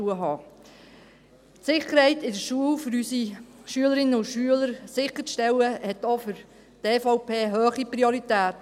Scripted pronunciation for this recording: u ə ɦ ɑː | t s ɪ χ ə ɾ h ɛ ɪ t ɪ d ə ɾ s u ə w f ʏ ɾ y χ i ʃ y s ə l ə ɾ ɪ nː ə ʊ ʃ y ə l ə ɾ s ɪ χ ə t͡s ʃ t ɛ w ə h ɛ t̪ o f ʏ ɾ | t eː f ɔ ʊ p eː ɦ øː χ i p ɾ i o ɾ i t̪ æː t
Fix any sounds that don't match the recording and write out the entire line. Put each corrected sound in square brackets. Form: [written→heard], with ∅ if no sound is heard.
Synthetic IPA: u ə ɦ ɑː | t s ɪ χ ə ɾ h ɛ ɪ t ɪ d ə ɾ [s→ʃ] u ə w f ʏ ɾ y [χ→s] i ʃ y [s→∅] ə l ə ɾ ɪ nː ə ʊ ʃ y ə l ə ɾ s ɪ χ ə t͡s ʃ t ɛ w ə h ɛ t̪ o f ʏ ɾ | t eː f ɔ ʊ p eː ɦ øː χ i p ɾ i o ɾ i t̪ æː t